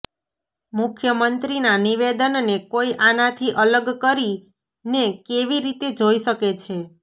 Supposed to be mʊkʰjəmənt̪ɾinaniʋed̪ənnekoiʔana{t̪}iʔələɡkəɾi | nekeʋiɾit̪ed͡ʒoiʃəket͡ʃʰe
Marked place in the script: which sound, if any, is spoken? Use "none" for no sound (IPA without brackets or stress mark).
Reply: t̪ʰ